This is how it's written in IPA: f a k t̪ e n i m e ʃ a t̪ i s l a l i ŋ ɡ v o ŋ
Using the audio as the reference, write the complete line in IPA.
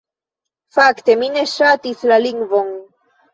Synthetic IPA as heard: f a k t̪ e m i n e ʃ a t̪ i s l a l i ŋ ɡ v o ŋ